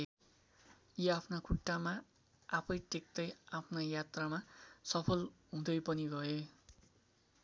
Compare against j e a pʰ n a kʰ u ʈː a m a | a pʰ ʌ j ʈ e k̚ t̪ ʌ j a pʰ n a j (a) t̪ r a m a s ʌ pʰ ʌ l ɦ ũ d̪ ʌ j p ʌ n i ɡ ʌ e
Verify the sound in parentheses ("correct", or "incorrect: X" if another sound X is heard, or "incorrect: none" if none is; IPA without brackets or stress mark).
correct